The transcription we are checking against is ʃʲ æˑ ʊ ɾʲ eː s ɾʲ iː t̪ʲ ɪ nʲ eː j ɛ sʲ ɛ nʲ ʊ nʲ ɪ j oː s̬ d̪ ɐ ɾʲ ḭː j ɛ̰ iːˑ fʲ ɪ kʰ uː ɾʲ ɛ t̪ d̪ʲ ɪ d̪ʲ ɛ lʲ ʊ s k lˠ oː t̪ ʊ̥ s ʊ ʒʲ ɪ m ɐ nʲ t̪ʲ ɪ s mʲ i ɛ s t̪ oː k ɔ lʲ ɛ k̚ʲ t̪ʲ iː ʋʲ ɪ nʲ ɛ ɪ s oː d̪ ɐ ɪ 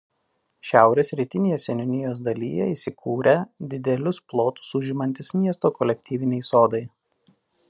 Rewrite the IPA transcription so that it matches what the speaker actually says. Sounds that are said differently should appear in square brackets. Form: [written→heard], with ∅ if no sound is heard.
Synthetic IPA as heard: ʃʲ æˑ ʊ ɾʲ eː s ɾʲ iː t̪ʲ ɪ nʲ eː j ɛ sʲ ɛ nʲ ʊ nʲ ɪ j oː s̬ d̪ ɐ [ɾʲ→lʲ] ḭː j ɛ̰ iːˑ [fʲ→sʲ] ɪ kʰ uː ɾʲ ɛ [t̪→∅] d̪ʲ ɪ d̪ʲ ɛ lʲ ʊ s [k→p] lˠ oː t̪ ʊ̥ s ʊ ʒʲ ɪ m ɐ nʲ t̪ʲ ɪ s mʲ i ɛ s t̪ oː k ɔ lʲ ɛ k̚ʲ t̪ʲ iː ʋʲ ɪ nʲ ɛ ɪ s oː d̪ ɐ ɪ

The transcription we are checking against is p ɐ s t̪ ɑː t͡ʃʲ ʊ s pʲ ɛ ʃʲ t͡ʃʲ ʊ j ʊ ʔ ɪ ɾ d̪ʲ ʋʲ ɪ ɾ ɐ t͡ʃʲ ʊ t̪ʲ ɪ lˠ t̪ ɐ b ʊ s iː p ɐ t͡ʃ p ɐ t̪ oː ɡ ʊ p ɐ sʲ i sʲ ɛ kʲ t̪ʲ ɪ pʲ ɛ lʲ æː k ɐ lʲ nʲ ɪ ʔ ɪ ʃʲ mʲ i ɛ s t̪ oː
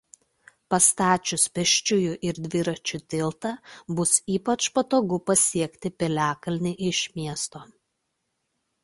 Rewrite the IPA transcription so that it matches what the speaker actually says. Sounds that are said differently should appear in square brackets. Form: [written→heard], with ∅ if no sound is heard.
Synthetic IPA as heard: p ɐ s t̪ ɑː t͡ʃʲ ʊ s pʲ ɛ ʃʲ t͡ʃʲ ʊ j ʊ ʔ ɪ ɾ d̪ʲ ʋʲ ɪ ɾ ɐ t͡ʃʲ ʊ t̪ʲ ɪ lˠ t̪ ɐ b ʊ s iː p ɐ t͡ʃ p ɐ t̪ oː ɡ ʊ p ɐ sʲ i [sʲ→∅] ɛ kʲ t̪ʲ ɪ pʲ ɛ lʲ æː k ɐ lʲ nʲ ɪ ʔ ɪ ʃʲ mʲ i ɛ s t̪ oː

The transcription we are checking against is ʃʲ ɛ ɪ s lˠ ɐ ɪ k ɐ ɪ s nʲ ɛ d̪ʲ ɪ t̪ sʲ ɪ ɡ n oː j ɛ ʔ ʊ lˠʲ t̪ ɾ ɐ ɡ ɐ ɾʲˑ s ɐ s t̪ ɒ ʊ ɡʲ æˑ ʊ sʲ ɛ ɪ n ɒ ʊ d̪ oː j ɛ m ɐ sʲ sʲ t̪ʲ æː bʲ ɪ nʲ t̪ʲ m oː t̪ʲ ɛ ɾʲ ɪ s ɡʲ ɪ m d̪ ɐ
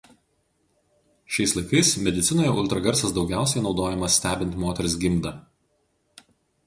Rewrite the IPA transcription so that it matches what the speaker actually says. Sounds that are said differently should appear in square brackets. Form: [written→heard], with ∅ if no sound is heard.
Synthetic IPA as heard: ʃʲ ɛ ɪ s lˠ ɐ ɪ k ɐ ɪ s [nʲ→mʲ] ɛ d̪ʲ ɪ t̪ sʲ ɪ [ɡ→∅] n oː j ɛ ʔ ʊ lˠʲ t̪ ɾ ɐ ɡ ɐ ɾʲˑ s ɐ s [t̪→d̪] ɒ ʊ ɡʲ æˑ ʊ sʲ ɛ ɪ n ɒ ʊ d̪ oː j ɛ m ɐ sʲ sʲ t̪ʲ æː bʲ ɪ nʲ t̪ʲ m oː t̪ʲ ɛ ɾʲ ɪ s ɡʲ ɪ m d̪ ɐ

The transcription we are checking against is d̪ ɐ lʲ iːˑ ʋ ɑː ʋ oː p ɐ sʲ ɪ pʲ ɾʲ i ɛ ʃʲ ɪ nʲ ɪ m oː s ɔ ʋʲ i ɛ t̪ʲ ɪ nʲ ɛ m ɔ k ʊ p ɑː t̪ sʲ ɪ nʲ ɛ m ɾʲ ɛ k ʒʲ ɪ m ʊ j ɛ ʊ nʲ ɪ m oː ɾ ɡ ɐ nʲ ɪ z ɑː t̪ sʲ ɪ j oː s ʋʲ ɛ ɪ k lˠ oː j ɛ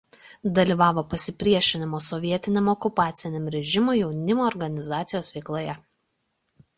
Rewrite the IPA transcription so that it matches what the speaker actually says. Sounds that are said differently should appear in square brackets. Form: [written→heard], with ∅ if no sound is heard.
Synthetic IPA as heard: d̪ ɐ lʲ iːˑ ʋ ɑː ʋ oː p ɐ sʲ ɪ pʲ ɾʲ i ɛ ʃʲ ɪ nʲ ɪ m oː s ɔ ʋʲ i ɛ t̪ʲ ɪ nʲ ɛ m ɔ k ʊ p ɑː t̪ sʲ ɪ nʲ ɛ m ɾʲ ɛ [k→∅] ʒʲ ɪ m ʊ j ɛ ʊ nʲ ɪ m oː ɾ ɡ ɐ nʲ ɪ z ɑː t̪ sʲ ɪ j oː s ʋʲ ɛ ɪ k lˠ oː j ɛ

